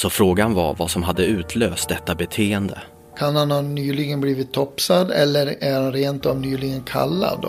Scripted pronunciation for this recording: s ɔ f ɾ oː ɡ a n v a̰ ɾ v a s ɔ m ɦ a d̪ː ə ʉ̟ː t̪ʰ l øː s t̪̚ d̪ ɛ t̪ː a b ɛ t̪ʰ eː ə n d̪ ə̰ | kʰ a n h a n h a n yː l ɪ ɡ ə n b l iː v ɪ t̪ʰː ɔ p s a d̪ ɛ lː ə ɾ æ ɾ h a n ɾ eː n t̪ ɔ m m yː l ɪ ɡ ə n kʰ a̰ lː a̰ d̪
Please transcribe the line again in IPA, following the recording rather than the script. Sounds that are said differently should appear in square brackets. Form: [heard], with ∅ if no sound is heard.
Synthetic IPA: s ɔ f ɾ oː ɡ a n v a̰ ɾ v a s ɔ m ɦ a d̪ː ə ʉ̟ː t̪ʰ l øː s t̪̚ d̪ ɛ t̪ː a b ɛ t̪ʰ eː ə n d̪ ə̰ | kʰ a n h a n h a n yː l ɪ ɡ ə n b l iː v ɪ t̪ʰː ɔ p s a d̪ ɛ lː ə ɾ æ ɾ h a n ɾ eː n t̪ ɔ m [n] yː l ɪ ɡ ə n kʰ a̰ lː a̰ d̪